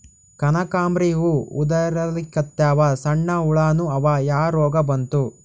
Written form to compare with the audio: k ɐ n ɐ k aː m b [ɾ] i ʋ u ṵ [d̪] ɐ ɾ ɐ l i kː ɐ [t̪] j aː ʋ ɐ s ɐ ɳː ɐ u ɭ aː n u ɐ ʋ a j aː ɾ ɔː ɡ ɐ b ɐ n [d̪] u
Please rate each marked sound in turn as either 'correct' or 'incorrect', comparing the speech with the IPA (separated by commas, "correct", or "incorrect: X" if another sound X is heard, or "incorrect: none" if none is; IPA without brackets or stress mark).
correct, correct, correct, incorrect: t̪